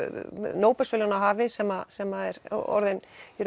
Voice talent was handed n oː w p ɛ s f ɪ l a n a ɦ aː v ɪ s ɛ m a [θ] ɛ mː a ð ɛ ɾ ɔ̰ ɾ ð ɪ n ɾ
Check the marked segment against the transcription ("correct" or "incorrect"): incorrect